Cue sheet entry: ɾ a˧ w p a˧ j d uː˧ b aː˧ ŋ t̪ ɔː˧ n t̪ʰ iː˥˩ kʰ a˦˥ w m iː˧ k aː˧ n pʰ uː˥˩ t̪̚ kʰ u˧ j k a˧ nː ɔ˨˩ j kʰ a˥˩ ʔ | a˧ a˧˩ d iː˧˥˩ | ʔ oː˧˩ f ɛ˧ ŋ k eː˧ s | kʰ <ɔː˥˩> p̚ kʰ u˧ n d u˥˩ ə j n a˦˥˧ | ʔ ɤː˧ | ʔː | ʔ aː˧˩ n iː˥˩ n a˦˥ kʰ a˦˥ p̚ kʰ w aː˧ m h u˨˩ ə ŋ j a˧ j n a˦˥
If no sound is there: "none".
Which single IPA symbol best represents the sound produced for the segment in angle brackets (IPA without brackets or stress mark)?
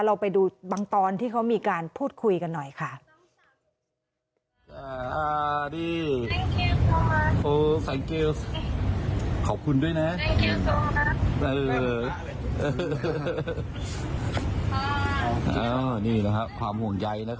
ɔː˨˩